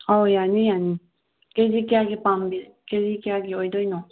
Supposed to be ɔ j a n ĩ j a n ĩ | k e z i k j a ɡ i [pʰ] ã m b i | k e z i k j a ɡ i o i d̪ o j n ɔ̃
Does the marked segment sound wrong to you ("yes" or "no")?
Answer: yes